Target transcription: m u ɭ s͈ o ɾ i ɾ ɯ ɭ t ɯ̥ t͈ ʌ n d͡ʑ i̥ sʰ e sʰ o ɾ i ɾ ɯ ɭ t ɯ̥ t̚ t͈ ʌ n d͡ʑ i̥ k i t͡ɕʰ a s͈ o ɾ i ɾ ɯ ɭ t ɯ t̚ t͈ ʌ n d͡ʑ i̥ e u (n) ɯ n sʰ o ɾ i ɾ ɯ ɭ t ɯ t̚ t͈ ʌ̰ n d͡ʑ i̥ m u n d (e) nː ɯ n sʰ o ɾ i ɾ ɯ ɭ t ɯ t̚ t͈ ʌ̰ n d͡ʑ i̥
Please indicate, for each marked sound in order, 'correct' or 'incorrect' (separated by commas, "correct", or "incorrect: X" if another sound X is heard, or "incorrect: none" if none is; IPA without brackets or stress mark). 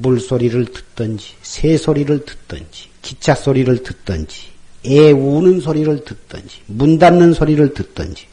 correct, incorrect: a